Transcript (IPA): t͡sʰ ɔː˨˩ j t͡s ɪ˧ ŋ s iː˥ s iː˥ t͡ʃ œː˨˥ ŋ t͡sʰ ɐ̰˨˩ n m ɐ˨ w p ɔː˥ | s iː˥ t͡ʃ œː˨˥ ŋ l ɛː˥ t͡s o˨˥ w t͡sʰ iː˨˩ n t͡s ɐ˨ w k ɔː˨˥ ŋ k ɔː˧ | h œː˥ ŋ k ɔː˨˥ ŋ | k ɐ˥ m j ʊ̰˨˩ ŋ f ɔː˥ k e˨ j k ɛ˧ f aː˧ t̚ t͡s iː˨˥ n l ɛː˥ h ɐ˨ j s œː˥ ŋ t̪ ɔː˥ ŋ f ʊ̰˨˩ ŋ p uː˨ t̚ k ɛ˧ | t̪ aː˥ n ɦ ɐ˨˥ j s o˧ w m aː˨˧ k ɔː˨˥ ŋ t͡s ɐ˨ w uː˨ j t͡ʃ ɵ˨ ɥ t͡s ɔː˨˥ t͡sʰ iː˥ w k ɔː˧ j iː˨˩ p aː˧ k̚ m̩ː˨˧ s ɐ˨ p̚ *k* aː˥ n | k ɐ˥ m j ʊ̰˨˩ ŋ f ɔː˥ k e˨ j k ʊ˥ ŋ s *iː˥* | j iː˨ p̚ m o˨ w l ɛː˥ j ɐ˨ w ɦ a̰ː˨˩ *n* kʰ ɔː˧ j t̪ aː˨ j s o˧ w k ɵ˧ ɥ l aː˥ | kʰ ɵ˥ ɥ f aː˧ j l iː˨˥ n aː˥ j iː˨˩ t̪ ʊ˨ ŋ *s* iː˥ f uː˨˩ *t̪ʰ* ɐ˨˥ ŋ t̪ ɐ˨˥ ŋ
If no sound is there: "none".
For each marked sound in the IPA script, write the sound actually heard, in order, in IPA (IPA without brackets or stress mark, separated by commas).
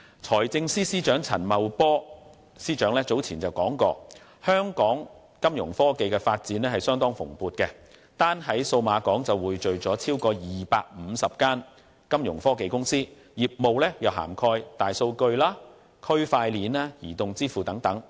k, iː˥, m, t͡s, t̪